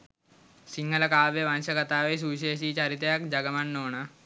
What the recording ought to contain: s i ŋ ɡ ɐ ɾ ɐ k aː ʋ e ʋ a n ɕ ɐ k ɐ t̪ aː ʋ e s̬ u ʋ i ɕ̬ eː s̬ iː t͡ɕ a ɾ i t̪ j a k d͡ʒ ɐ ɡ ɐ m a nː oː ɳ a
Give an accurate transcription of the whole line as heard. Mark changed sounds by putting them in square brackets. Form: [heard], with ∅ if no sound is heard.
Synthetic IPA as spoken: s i ŋ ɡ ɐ [l] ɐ k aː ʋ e ʋ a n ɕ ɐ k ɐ t̪ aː ʋ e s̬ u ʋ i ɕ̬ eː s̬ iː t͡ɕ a ɾ i t̪ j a k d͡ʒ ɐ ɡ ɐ m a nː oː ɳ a